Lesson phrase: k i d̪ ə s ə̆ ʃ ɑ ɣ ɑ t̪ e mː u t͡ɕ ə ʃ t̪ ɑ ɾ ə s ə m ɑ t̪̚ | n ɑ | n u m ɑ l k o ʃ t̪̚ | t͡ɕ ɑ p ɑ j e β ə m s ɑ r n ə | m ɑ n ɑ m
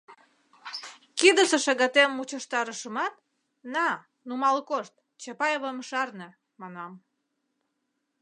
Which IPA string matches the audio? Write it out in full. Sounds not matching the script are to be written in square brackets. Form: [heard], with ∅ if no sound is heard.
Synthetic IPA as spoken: k i d̪ ə s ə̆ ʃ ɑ ɣ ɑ t̪ e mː u t͡ɕ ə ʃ t̪ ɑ ɾ ə [ʃ] ə m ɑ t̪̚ | n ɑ | n u m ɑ l k o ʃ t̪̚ | t͡ɕ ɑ p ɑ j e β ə m [ʃ] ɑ r n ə | m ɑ n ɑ m